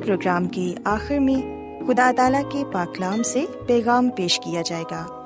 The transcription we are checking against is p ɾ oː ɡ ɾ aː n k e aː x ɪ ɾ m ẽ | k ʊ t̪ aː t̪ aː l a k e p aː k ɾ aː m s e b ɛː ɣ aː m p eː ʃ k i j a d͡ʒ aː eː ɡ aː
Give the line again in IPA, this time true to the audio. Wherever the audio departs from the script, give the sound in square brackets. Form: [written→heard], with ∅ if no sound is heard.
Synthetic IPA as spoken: p ɾ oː ɡ ɾ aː [n→m] k e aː x ɪ ɾ m ẽ | [k→x] ʊ [t̪→d̪] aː t̪ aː l a k e p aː k [ɾ→l] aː m s e [b→p] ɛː ɣ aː m p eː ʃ k i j a d͡ʒ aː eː ɡ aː